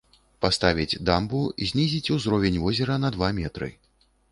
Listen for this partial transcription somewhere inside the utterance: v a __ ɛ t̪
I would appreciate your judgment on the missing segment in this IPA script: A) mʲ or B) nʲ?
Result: A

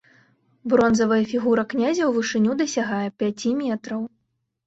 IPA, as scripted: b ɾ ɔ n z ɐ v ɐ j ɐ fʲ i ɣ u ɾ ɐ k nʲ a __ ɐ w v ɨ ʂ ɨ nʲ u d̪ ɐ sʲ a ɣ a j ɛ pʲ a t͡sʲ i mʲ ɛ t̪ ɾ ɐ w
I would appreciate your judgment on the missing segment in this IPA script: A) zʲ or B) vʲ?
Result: A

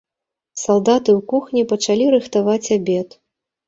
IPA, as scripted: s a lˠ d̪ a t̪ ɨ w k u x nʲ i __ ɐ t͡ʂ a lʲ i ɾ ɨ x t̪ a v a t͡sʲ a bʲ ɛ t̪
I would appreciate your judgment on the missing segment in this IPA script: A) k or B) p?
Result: B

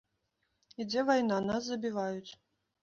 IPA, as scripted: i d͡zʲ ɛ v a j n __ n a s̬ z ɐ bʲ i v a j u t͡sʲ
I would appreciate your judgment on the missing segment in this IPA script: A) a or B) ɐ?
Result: A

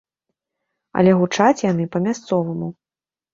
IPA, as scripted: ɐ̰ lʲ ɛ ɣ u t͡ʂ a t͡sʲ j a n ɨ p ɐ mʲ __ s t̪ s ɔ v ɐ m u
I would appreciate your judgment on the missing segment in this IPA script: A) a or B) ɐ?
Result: A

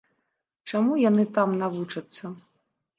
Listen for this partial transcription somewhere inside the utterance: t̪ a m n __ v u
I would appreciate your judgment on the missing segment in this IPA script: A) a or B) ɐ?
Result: A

